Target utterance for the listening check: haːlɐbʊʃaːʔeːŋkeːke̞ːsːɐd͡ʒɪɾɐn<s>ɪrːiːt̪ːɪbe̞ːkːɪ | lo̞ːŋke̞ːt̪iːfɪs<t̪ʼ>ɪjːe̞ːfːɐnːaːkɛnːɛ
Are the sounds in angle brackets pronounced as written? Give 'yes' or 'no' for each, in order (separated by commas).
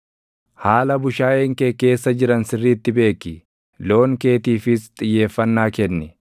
yes, yes